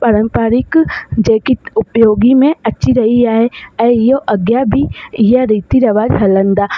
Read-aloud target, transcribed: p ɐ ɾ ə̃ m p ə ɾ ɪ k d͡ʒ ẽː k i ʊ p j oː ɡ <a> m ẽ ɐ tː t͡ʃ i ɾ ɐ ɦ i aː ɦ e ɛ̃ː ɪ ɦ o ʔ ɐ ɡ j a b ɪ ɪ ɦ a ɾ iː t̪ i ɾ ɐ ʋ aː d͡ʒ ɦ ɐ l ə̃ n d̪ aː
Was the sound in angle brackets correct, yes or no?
no